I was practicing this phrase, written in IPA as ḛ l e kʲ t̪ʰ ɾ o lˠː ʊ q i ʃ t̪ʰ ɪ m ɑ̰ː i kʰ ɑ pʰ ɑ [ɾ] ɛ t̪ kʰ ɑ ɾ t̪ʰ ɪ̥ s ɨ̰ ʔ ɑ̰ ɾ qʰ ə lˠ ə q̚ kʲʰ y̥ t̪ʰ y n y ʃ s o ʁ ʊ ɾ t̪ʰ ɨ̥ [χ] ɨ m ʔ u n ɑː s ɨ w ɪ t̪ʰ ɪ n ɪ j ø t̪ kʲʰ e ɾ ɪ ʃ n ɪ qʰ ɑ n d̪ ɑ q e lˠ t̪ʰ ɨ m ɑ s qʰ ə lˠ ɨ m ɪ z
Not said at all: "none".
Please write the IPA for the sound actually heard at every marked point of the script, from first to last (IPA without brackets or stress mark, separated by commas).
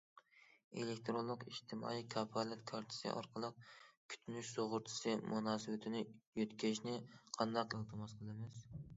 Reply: l, s